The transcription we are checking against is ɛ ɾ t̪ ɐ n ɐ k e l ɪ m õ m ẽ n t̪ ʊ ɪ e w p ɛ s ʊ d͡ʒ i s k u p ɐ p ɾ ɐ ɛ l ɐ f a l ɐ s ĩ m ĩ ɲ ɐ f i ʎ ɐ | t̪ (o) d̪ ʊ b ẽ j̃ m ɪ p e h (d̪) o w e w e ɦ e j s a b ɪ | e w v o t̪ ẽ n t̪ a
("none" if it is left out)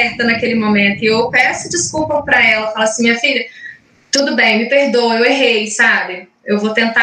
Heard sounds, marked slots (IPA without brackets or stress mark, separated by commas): u, d̪